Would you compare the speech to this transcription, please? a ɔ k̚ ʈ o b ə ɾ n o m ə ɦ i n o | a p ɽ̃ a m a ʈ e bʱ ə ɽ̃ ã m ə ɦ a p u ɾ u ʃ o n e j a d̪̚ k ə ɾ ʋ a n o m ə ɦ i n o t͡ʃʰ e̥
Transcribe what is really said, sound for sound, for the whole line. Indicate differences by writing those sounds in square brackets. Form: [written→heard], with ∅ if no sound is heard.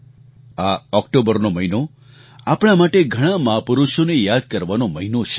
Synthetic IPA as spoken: a ɔ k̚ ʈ o b ə ɾ n o m ə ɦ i n o | a p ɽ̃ a m a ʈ e [bʱ→ɡʱ] ə ɽ̃ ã m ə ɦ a p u ɾ u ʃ o n e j a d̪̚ k ə ɾ ʋ a n o m ə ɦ i n o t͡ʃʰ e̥